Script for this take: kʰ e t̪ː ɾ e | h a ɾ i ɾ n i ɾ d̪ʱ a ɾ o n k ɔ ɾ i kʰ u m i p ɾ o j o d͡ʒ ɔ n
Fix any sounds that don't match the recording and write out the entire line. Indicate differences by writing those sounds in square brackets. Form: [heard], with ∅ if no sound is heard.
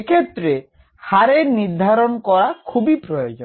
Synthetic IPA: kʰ e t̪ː ɾ e | h a ɾ [e] ɾ n i ɾ d̪ʱ a ɾ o n k ɔ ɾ [a] kʰ u [b] i p ɾ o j o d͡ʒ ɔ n